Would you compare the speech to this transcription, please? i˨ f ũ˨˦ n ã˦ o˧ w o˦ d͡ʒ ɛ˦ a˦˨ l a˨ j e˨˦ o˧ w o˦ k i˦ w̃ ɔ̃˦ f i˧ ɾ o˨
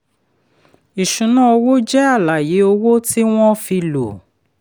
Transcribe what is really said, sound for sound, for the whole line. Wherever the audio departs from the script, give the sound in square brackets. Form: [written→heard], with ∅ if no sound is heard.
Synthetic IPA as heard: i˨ [f→ʃ] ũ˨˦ n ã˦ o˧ w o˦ d͡ʒ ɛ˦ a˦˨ l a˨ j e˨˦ o˧ w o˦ [k→t] i˦ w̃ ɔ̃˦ f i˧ [ɾ→l] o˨

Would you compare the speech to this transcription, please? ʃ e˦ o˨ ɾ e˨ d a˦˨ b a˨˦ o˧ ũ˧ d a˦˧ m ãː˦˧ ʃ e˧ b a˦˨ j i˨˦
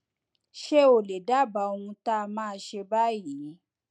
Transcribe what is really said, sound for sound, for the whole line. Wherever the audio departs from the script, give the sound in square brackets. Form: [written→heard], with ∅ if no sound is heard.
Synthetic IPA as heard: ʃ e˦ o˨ [ɾ→l] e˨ d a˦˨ b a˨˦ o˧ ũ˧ [d→t] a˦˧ m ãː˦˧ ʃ e˧ b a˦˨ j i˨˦

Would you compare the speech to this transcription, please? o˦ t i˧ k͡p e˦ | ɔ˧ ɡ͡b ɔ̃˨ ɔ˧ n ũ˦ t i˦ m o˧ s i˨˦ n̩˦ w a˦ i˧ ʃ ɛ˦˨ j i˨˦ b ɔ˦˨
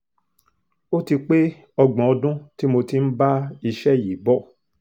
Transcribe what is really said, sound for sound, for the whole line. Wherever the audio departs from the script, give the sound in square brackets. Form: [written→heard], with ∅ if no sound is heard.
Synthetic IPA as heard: o˦ t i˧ k͡p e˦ | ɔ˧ ɡ͡b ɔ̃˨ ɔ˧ [n→d] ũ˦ t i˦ m o˧ [s→t] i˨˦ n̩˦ [w→b] a˦ i˧ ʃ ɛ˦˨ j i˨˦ b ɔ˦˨

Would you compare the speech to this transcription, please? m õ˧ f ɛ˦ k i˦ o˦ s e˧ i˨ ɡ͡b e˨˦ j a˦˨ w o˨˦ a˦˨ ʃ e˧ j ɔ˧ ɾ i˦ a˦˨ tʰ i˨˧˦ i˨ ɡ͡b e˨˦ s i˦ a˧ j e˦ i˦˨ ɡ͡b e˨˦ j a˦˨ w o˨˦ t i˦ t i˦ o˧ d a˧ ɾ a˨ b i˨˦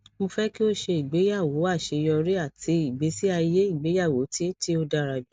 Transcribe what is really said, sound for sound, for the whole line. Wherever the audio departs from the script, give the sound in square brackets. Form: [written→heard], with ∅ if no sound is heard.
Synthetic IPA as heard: m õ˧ f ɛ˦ k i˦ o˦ [s→ʃ] e˧ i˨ ɡ͡b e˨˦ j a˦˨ w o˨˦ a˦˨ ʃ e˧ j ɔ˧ ɾ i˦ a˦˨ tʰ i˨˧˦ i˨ ɡ͡b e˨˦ s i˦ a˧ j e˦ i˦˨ ɡ͡b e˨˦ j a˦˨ w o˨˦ t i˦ t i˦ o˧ d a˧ ɾ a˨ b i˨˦

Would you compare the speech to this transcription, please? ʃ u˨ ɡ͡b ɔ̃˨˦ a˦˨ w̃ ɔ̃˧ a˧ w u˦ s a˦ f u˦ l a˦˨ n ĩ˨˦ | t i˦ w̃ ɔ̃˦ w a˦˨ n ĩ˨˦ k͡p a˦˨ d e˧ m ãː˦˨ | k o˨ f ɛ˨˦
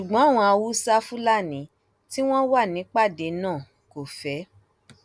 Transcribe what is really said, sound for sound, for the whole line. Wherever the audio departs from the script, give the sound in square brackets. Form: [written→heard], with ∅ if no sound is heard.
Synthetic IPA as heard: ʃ u˨ ɡ͡b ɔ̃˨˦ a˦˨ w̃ ɔ̃˧ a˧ w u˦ s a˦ f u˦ l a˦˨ n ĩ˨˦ | t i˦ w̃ ɔ̃˦ w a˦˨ n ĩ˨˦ k͡p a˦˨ d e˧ [m→n] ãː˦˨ | k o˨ f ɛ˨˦

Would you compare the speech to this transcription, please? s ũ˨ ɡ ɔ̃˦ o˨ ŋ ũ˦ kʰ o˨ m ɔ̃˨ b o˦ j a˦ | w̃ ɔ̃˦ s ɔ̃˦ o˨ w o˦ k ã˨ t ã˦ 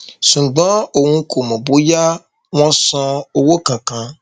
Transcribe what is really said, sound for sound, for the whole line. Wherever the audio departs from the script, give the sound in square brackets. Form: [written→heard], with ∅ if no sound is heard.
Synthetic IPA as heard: s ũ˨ [ɡ→ɡ͡b] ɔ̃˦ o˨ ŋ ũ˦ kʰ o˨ m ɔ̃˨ b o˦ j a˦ | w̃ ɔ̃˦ s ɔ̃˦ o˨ w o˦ k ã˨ [t→k] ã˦

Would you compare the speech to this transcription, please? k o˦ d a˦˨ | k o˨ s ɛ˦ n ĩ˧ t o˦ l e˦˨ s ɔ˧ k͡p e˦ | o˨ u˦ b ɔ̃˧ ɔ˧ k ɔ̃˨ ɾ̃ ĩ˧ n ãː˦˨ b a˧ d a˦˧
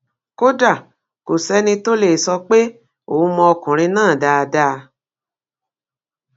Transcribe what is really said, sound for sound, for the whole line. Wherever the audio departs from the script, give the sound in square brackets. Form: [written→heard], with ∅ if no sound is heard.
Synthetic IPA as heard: k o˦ d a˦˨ | k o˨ s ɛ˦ n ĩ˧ t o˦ l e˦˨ s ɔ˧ k͡p e˦ | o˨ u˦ [b→m] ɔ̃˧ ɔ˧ k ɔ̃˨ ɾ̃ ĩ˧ n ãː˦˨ [b→d] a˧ d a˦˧

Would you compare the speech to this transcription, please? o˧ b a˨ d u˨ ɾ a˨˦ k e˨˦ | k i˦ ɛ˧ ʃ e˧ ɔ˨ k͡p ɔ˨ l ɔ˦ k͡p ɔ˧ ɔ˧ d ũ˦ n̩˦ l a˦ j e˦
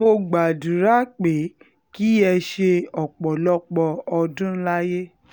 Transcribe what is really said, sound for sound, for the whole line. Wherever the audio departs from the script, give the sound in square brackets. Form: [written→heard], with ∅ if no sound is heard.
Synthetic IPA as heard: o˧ [b→ɡ͡b] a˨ d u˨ ɾ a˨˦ [k→k͡p] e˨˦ | k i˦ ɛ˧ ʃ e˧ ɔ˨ k͡p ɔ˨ l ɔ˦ k͡p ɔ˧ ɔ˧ d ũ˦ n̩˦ l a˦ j e˦

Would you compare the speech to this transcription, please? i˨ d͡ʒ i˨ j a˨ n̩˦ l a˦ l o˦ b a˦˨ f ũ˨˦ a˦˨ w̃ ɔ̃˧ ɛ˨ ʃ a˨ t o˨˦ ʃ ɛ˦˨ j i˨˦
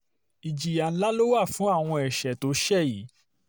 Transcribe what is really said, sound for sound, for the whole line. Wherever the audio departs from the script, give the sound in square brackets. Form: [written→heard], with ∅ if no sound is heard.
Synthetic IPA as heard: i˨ d͡ʒ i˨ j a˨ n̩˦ l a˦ l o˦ [b→w] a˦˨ f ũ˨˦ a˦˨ w̃ ɔ̃˧ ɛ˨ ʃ [a˨→ɛ˨] t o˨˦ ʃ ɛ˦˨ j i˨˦

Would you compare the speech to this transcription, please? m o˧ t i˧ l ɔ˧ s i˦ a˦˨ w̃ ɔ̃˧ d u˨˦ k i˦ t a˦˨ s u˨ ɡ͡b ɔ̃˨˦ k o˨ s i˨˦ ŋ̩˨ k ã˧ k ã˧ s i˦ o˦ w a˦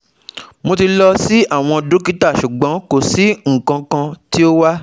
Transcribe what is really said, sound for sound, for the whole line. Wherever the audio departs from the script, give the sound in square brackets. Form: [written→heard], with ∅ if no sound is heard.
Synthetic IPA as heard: m o˧ t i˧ l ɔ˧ s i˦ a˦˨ w̃ ɔ̃˧ d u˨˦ k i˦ t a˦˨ [s→ʃ] u˨ ɡ͡b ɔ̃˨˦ k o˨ s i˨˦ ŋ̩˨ k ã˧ k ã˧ [s→t] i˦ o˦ w a˦

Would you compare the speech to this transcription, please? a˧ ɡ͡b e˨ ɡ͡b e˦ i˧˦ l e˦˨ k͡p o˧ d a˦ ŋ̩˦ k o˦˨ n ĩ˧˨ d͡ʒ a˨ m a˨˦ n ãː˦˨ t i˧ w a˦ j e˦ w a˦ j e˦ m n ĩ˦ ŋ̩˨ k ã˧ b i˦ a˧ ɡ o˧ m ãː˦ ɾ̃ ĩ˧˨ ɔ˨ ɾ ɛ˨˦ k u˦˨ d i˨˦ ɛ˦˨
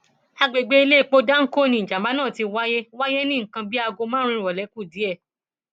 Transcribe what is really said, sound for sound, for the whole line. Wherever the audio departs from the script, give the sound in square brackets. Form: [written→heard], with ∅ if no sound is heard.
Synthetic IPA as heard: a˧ ɡ͡b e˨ ɡ͡b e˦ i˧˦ l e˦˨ k͡p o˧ d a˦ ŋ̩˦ k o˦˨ n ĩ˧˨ d͡ʒ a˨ m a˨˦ n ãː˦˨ t i˧ w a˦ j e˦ w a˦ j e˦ [m→∅] n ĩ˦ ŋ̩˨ k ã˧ b i˦ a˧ ɡ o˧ m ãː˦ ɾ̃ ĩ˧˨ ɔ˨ [ɾ→l] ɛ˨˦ k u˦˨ d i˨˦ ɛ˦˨

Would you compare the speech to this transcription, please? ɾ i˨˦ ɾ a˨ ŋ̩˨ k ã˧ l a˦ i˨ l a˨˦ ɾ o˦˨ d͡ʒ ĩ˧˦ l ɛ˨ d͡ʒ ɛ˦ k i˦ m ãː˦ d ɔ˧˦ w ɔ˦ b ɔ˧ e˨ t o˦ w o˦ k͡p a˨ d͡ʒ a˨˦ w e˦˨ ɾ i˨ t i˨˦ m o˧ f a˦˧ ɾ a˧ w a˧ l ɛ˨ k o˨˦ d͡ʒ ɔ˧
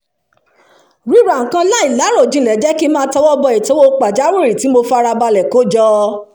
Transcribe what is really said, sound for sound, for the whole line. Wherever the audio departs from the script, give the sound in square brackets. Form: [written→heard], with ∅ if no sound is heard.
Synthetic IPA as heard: ɾ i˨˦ ɾ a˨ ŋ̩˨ k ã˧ l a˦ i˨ l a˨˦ ɾ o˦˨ d͡ʒ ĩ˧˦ l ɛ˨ d͡ʒ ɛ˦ k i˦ m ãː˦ [d→t] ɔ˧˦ w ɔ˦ b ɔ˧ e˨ t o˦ w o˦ k͡p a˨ d͡ʒ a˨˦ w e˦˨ ɾ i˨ t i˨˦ m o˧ f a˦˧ ɾ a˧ [w→b] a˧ l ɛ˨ k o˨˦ d͡ʒ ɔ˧

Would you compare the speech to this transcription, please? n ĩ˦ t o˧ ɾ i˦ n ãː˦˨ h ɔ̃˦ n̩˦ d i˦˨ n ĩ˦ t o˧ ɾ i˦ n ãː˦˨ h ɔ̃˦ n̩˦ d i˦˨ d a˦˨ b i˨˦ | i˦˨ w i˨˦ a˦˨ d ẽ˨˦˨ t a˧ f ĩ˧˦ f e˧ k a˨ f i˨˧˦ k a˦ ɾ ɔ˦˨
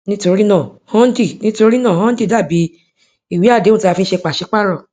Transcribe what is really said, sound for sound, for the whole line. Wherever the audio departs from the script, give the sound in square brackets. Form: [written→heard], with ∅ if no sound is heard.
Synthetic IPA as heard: n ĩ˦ t o˧ ɾ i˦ n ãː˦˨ h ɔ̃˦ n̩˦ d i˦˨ n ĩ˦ t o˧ ɾ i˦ n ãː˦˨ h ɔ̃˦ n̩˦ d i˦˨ d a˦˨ b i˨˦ | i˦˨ w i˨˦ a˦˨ d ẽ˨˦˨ t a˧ f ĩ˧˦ [f→ʃ] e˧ [k→k͡p] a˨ [f→ʃ] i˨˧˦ [k→k͡p] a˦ ɾ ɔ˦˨

